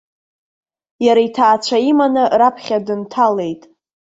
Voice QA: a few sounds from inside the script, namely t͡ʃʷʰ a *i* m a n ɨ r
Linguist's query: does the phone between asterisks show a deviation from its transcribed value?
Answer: no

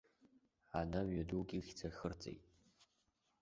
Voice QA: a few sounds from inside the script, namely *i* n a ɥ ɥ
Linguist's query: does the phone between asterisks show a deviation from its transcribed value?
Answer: yes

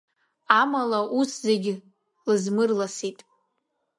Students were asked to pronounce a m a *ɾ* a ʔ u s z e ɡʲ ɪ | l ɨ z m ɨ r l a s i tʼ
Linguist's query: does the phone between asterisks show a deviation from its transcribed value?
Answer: yes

